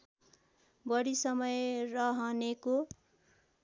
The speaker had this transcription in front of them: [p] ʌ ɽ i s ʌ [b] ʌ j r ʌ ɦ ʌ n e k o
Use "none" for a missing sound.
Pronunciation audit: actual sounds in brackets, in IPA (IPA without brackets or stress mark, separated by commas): b, m